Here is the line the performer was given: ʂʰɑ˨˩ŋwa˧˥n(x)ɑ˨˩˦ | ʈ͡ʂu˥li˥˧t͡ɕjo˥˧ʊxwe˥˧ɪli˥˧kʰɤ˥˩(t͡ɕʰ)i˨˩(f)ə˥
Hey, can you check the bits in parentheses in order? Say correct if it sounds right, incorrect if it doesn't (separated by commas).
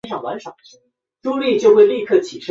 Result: incorrect, correct, incorrect